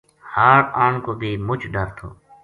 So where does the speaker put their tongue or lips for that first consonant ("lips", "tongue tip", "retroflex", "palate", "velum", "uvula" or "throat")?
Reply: throat